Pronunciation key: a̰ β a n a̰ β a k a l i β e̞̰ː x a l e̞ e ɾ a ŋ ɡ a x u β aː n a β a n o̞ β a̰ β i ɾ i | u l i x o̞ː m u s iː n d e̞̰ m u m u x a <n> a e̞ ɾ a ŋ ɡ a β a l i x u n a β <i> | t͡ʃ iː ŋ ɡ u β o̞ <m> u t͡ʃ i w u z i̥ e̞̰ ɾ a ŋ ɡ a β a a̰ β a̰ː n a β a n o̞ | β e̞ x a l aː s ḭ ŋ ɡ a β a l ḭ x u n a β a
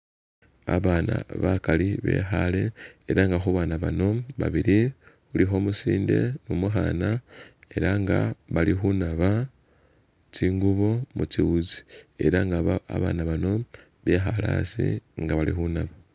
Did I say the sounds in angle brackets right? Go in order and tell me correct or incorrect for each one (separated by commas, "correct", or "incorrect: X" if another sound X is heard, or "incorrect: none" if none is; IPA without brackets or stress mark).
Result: correct, incorrect: a, correct